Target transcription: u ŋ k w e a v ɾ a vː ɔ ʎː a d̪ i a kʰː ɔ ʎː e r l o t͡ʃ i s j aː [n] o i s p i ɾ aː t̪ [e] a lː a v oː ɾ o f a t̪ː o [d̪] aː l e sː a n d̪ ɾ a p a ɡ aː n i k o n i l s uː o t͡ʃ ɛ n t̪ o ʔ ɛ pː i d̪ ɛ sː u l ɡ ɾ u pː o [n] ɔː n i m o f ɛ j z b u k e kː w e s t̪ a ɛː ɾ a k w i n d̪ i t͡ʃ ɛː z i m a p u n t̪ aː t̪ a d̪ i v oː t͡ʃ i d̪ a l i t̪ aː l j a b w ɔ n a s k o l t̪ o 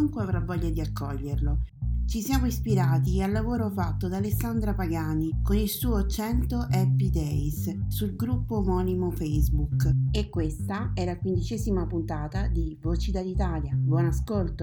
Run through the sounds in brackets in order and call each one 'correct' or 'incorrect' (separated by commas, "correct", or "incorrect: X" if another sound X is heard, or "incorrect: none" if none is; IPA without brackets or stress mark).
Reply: incorrect: m, incorrect: i, correct, incorrect: m